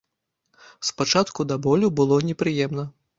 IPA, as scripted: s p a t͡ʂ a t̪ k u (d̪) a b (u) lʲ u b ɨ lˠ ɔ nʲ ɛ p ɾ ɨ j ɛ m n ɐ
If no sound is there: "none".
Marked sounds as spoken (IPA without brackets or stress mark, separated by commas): d̪, ɔ